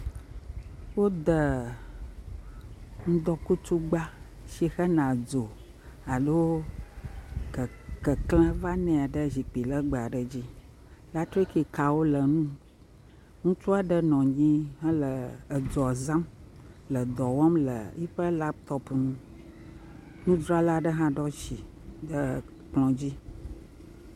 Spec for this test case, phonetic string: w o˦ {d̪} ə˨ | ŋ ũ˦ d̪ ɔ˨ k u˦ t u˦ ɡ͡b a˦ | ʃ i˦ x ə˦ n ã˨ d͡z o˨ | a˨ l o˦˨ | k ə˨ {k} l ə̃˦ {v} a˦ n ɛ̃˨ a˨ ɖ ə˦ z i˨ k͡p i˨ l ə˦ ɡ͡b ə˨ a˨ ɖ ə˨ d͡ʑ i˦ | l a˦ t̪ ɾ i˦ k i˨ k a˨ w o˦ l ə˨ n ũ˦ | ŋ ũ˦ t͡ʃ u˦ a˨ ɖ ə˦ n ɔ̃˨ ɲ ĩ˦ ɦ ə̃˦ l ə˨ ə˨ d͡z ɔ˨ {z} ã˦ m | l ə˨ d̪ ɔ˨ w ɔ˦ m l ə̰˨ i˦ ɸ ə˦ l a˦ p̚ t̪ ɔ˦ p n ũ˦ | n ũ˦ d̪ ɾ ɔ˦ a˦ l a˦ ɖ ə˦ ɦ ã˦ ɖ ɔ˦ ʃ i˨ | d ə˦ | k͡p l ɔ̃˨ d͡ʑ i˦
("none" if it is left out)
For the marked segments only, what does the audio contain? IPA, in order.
d̪, k, v, z

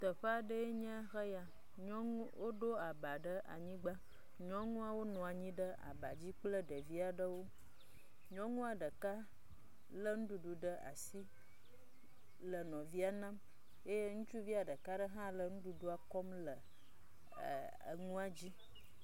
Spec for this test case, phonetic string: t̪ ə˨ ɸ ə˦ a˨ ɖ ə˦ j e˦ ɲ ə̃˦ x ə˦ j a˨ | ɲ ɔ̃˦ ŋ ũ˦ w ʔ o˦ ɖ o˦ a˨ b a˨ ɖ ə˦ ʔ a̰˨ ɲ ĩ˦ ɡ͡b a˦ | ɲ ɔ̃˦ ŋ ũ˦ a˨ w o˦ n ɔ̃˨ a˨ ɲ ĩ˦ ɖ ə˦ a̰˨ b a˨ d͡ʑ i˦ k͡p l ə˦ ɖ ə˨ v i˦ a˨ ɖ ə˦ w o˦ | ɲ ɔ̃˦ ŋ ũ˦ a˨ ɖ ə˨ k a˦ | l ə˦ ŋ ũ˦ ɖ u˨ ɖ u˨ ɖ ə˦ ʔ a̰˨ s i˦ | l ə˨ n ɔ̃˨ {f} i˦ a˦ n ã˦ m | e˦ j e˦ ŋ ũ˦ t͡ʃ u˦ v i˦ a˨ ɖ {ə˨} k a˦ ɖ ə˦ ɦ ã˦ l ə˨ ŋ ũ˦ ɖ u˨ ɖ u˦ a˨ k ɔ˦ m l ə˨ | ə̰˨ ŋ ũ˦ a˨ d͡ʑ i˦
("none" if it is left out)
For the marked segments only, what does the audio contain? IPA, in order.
v, ə˨

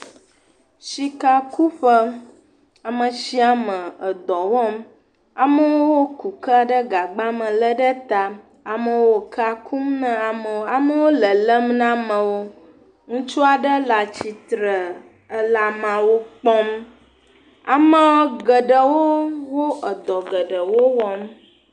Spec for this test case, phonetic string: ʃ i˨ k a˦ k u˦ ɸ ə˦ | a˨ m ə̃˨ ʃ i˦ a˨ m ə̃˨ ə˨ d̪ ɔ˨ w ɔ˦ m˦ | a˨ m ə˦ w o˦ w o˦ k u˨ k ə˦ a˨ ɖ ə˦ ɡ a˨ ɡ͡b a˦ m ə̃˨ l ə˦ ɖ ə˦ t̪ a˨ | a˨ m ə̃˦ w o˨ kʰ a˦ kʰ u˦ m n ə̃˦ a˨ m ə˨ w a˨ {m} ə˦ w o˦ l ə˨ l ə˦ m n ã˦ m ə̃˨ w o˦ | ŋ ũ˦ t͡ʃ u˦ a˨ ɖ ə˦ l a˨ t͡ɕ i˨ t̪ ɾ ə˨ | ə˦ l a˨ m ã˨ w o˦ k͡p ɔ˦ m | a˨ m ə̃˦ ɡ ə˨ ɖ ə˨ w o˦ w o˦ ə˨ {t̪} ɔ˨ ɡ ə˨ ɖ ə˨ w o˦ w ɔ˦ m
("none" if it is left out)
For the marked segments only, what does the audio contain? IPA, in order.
m, d̪

